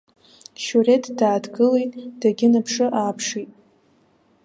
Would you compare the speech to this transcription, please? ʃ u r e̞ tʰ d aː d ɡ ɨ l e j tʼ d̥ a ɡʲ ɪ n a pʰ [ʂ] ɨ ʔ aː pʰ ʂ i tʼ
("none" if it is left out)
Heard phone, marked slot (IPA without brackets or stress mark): ʂ